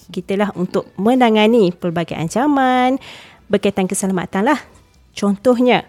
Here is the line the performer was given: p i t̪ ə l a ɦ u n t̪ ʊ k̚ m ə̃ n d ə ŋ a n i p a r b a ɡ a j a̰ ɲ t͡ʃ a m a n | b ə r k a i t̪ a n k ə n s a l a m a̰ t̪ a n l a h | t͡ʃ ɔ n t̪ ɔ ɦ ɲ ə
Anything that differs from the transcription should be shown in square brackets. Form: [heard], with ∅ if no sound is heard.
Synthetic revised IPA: [k] i t̪ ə l a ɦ u n t̪ ʊ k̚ m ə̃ n d [a] ŋ a n i p [ə] r b a ɡ a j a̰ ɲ t͡ʃ a m a n | b ə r k a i t̪ a n k ə [∅] s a l a m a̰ t̪ a n l a h | t͡ʃ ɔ n t̪ ɔ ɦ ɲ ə